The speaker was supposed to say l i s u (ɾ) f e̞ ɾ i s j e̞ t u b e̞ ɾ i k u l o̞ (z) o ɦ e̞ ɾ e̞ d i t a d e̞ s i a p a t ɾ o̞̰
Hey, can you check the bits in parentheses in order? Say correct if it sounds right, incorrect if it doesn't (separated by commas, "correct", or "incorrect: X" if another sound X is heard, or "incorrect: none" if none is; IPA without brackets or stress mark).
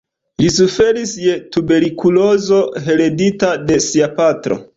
incorrect: none, correct